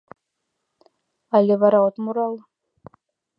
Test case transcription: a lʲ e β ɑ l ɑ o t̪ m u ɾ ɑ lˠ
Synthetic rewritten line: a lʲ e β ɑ ɾ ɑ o t̪ m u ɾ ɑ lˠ